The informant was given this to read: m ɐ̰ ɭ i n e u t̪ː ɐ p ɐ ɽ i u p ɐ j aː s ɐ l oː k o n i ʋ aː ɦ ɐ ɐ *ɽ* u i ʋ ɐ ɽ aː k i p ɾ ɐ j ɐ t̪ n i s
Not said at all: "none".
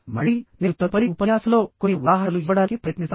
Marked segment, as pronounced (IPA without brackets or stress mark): l